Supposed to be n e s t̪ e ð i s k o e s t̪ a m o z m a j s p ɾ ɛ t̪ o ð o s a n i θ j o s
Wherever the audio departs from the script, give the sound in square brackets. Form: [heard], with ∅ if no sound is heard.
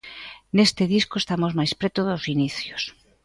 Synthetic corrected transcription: n e s t̪ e ð i s k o e s t̪ a m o z m a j s p ɾ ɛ t̪ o ð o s [i] n i θ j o s